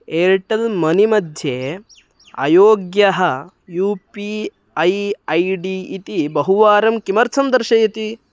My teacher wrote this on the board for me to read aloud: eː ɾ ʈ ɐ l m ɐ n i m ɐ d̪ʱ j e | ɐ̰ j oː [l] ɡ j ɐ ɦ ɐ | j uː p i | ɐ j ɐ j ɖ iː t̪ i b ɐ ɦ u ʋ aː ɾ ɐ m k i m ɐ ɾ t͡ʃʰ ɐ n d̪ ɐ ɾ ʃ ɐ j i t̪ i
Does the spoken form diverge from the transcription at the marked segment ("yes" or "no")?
yes